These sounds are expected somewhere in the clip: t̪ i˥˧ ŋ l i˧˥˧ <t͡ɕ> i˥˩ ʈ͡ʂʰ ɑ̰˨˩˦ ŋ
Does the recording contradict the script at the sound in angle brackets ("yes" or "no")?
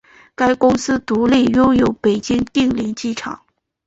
no